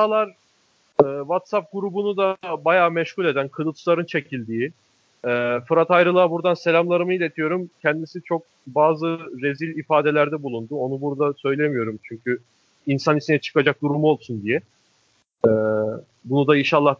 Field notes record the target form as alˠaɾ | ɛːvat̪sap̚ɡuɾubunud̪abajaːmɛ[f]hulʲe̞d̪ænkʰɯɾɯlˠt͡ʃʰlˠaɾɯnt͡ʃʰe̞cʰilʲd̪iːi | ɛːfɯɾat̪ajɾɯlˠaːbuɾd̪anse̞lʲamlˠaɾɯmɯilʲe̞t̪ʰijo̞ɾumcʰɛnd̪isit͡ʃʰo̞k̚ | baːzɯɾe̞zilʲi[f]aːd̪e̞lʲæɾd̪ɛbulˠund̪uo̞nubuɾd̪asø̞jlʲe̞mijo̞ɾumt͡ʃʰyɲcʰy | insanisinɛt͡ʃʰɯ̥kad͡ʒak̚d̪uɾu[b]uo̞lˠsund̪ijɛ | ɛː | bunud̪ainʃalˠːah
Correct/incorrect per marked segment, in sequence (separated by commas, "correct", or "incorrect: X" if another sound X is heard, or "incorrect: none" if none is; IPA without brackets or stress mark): incorrect: ʃ, correct, incorrect: m